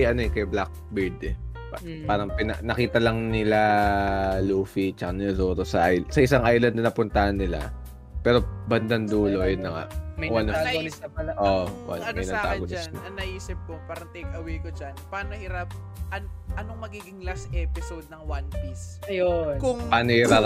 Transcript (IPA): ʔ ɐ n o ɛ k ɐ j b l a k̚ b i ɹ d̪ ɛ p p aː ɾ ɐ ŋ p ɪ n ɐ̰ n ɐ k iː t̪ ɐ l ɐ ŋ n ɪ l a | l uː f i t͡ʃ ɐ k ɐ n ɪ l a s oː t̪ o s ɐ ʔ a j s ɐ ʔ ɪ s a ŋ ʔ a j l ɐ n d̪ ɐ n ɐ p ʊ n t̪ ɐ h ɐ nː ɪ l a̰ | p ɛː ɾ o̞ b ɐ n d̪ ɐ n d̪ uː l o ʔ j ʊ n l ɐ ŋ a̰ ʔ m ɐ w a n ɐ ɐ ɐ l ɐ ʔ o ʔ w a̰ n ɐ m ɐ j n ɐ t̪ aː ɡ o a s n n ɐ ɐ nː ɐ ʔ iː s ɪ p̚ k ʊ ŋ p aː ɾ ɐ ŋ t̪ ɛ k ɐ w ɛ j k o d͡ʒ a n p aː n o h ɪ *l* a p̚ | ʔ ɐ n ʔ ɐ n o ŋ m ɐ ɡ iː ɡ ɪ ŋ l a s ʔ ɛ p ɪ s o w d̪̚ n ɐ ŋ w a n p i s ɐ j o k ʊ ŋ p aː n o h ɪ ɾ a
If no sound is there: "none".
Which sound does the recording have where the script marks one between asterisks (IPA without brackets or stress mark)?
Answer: ɾ